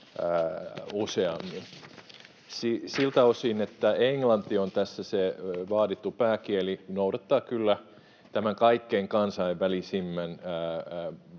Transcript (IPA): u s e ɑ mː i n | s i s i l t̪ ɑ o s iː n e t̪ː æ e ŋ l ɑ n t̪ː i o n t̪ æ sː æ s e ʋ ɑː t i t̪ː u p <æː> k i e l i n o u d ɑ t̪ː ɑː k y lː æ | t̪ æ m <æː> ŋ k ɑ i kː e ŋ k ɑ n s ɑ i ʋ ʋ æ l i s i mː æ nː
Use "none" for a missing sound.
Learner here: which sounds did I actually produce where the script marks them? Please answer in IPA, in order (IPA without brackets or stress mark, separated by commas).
æː, æ